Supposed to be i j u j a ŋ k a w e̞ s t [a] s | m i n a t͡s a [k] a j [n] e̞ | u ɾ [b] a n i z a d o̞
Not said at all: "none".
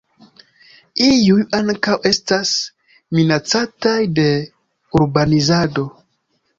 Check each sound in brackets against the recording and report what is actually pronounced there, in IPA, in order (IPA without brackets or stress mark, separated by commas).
a, t, d, b